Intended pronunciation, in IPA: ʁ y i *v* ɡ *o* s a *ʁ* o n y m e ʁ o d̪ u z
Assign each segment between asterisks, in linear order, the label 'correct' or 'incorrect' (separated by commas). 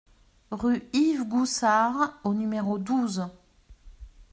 correct, incorrect, correct